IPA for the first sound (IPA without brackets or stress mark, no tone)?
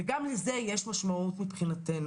ɡ